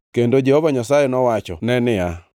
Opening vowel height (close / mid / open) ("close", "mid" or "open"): mid